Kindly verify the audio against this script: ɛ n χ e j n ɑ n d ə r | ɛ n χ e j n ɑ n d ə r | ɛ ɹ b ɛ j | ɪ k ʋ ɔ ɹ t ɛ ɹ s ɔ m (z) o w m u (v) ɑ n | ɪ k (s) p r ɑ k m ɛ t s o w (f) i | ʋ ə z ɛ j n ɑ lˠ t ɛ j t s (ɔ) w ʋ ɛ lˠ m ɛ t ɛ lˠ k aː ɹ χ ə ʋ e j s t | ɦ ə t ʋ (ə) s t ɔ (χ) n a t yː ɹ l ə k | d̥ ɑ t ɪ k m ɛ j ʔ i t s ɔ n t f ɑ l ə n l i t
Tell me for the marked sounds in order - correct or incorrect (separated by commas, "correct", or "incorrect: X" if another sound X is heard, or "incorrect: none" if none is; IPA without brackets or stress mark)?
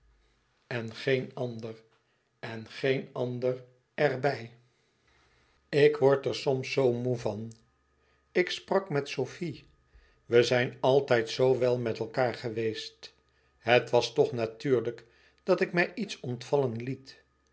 incorrect: s, correct, correct, correct, incorrect: o, incorrect: ɑ, correct